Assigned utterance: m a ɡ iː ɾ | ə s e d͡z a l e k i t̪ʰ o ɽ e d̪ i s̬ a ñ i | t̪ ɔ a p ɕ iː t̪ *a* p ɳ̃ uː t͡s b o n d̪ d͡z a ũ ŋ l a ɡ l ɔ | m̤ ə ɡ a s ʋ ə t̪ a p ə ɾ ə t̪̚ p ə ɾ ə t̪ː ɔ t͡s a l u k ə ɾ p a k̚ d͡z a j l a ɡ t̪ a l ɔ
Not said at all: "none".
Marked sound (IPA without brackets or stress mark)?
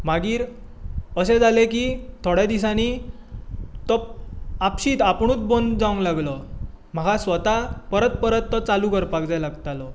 a